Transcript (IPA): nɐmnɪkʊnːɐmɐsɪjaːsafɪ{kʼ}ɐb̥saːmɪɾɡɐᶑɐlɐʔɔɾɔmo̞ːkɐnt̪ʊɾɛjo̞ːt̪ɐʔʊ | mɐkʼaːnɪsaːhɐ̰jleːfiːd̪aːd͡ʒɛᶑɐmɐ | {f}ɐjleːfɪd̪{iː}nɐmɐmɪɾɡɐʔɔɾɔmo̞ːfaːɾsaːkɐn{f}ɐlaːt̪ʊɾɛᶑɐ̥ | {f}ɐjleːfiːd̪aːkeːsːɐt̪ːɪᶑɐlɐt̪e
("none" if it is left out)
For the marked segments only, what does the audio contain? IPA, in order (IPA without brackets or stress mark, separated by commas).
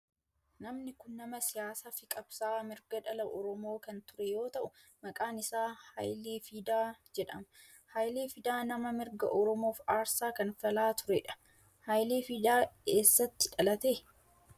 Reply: kʼ, h, aː, f, h